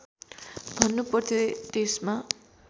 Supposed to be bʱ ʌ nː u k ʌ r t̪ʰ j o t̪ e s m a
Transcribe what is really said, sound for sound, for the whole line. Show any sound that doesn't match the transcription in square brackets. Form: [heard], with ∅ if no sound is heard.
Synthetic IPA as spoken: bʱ ʌ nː u [p] ʌ r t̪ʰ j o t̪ e s m a